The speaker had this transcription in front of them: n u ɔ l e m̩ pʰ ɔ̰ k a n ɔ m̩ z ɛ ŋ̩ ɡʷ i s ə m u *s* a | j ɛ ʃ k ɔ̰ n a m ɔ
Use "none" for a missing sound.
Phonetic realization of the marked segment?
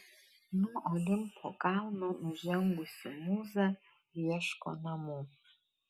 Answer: z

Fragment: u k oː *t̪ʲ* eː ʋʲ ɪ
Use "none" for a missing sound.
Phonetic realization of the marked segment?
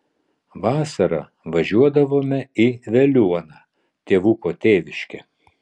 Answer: t̪ʲ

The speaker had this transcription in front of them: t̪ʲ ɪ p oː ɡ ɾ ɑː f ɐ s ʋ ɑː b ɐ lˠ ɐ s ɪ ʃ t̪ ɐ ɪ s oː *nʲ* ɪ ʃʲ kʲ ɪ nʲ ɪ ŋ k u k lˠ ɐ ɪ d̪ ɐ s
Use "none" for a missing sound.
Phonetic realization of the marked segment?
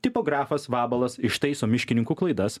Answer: mʲ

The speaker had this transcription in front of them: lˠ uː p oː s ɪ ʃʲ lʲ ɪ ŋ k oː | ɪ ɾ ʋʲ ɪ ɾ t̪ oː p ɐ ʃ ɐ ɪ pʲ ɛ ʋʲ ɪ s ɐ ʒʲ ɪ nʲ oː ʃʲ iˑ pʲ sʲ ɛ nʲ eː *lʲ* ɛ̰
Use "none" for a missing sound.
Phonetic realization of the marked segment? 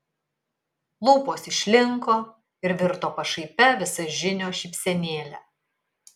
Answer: lʲ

